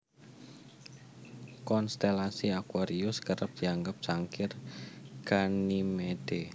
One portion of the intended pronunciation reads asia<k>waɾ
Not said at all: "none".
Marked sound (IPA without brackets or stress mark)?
k